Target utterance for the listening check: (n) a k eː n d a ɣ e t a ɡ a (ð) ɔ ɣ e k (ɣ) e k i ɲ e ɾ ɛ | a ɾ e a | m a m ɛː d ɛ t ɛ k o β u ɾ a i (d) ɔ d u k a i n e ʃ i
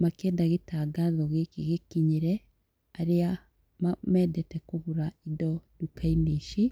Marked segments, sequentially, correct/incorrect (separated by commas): incorrect, correct, correct, correct